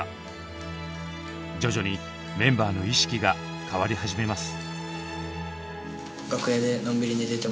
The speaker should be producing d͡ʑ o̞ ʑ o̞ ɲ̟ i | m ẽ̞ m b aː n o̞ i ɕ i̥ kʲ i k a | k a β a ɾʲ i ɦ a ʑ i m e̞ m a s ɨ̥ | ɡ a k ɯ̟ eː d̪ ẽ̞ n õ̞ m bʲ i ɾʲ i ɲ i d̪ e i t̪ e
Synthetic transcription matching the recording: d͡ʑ o̞ ʑ o̞ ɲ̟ i | m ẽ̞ m b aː n o̞ i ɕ i̥ kʲ i ɡ a | k a β a ɾʲ i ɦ a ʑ i m e̞ m a s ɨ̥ | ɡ a k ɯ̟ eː d̪ e̞ n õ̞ m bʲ i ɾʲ i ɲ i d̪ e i t̪ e